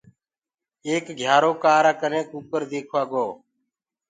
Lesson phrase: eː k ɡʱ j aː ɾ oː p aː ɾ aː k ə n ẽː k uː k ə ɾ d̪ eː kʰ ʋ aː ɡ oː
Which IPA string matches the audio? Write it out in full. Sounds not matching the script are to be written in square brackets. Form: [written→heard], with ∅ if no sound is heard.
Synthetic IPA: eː k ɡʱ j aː ɾ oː [p→k] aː ɾ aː k ə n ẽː k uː k ə ɾ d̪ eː kʰ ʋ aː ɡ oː